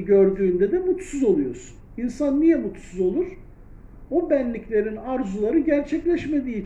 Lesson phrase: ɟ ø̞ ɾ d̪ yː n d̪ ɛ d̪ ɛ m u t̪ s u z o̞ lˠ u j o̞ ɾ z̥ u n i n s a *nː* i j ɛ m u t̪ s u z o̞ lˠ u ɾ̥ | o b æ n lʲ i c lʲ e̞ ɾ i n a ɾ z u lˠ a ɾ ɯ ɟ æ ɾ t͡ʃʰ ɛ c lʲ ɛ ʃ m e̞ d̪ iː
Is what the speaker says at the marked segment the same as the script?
yes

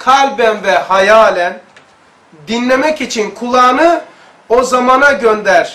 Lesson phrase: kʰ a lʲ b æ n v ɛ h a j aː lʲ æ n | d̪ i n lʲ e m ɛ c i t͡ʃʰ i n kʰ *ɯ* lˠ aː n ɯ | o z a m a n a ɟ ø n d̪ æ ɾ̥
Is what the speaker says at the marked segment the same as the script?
no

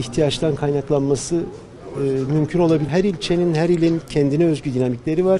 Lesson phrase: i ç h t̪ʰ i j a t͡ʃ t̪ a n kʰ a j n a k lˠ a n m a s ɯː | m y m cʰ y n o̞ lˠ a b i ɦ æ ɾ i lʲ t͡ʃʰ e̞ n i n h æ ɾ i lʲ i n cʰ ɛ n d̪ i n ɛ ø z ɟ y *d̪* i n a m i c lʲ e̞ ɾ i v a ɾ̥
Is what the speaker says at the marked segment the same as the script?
yes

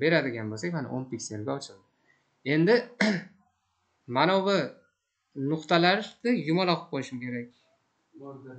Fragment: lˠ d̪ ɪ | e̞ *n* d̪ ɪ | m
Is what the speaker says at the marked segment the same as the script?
yes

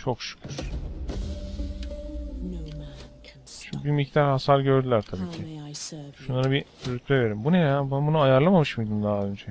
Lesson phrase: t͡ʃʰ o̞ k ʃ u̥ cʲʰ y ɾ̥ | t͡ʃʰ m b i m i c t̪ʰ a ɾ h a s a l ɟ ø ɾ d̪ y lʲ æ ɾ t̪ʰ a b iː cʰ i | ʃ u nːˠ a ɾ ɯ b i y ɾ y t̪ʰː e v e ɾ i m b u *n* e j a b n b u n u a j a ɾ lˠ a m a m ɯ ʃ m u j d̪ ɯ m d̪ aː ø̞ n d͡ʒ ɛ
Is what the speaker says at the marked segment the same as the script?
yes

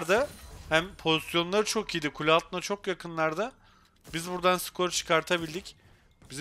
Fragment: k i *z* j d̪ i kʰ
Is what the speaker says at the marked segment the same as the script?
no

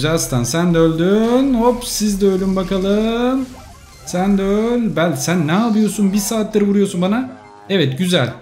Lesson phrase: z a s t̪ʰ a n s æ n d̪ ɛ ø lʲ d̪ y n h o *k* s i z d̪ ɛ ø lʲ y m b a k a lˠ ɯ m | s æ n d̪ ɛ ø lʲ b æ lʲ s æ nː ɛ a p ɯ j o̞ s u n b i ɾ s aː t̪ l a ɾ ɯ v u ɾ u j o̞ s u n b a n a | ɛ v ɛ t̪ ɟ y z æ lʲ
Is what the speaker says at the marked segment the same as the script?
no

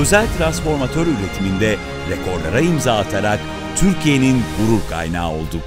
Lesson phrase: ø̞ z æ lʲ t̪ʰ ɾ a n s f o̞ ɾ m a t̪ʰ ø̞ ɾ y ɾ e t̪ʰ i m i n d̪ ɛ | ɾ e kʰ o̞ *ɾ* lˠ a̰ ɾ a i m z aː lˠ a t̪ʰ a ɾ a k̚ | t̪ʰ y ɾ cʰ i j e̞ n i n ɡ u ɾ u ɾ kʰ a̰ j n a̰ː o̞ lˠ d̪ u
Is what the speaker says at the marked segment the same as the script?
yes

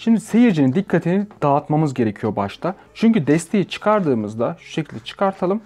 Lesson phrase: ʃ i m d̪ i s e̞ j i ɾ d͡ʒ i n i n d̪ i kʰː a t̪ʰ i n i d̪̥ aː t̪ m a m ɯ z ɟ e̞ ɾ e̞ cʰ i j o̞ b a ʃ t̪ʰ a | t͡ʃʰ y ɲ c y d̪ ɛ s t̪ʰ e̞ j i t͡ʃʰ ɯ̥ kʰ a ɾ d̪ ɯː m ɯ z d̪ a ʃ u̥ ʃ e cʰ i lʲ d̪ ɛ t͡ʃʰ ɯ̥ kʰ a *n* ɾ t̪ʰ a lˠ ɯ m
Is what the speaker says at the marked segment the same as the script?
no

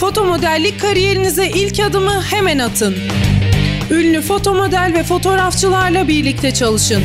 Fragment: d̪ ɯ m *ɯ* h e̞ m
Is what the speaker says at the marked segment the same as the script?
yes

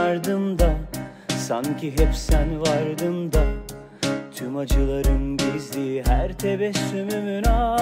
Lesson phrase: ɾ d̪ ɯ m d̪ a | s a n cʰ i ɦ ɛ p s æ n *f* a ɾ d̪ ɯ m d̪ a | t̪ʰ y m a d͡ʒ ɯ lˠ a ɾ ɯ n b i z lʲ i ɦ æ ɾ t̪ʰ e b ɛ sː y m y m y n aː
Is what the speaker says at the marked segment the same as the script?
no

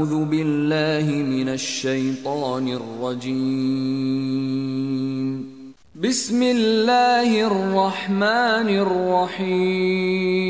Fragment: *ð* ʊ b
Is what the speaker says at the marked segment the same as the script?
yes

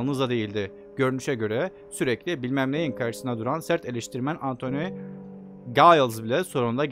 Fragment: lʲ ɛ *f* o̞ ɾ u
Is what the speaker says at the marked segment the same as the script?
no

